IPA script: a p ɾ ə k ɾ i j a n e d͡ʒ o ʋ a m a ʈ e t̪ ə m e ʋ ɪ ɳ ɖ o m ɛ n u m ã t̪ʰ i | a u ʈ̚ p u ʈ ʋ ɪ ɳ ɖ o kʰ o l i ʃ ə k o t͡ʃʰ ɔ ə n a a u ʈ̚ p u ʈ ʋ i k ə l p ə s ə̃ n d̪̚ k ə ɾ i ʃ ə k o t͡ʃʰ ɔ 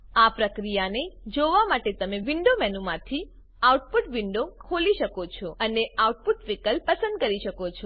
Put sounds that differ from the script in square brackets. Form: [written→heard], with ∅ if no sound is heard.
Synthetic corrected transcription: a p ɾ ə k ɾ i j a n e d͡ʒ o ʋ a m a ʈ e t̪ ə m e ʋ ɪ ɳ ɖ o m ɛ n u m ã t̪ʰ i | a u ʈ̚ p u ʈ ʋ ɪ ɳ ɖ o kʰ o l i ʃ ə k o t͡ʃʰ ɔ ə n [a→e] a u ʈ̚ p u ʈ ʋ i k ə l p ə s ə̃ n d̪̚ k ə ɾ i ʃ ə k o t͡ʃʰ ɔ